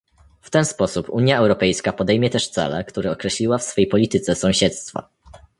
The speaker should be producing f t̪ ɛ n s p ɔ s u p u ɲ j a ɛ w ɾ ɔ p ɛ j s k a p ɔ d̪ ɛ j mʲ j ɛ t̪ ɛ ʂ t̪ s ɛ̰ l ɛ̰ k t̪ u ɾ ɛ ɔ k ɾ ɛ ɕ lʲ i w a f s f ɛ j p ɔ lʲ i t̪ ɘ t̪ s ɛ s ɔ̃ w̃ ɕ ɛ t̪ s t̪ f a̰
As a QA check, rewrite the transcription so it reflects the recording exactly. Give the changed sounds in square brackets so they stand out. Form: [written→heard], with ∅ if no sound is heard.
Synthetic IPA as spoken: f t̪ ɛ n s p ɔ s u p u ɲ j a ɛ w ɾ ɔ p ɛ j s k a p ɔ d̪ ɛ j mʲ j ɛ t̪ ɛ ʂ t̪ s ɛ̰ l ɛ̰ k t̪ u ɾ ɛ ɔ k ɾ ɛ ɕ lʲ i w a f s f ɛ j p ɔ lʲ i t̪ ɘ t̪ s ɛ s ɔ̃ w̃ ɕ ɛ t̪ s t̪ f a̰